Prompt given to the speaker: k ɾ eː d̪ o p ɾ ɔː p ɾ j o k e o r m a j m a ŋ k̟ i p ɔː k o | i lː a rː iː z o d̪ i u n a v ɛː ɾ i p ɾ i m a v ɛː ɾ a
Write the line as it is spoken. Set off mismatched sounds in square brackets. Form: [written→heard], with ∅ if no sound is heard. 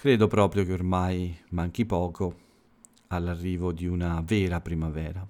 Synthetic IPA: k ɾ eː d̪ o p ɾ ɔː p ɾ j o k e o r m a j m a ŋ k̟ i p ɔː k o | [i→a] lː a rː iː [z→v] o d̪ i u n a v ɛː ɾ [i→a] p ɾ i m a v ɛː ɾ a